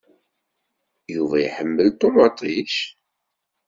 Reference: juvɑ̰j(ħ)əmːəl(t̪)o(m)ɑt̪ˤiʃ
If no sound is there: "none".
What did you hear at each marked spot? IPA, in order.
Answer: ħ, t̪, m

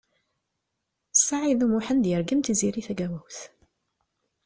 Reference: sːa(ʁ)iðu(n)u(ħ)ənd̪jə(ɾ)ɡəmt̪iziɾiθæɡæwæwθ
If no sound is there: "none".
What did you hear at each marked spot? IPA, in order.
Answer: ʕ, m, ħ, ɾ

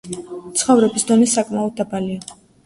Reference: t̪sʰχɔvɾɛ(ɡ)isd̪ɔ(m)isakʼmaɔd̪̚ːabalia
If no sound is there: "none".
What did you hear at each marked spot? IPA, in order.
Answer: b, n

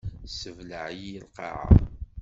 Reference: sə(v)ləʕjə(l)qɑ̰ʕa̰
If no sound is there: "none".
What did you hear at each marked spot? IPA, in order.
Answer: v, l

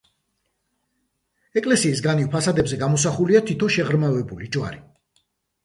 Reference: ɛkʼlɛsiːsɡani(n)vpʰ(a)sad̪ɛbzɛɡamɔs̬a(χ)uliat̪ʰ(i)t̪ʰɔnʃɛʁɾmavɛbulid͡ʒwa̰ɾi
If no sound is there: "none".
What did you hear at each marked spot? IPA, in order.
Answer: none, a, χ, i

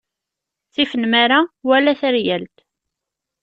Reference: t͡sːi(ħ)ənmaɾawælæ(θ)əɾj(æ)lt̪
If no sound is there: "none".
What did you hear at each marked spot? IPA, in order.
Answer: f, θ, æ

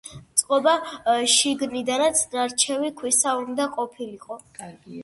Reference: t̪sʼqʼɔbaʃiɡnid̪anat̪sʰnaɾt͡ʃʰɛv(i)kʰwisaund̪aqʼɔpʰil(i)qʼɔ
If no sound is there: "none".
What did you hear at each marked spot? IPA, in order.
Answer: i, i

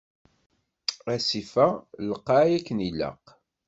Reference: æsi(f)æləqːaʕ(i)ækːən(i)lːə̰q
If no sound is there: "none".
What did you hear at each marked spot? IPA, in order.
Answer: f, j, i

